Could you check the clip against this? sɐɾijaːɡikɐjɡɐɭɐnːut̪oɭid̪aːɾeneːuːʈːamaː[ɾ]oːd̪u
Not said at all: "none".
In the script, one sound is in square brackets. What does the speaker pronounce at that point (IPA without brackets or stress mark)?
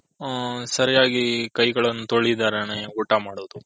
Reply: ɽ